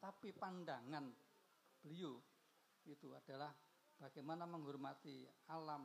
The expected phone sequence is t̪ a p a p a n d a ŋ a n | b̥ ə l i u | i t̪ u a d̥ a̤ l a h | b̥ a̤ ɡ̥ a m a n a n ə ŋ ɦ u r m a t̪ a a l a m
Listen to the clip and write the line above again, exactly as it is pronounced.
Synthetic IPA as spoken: t̪ a p i p a n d a ŋ a n | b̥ ə l i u | i t̪ u a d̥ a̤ l a h | b̥ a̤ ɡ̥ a m a n a m ə ŋ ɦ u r m a t̪ i a l a m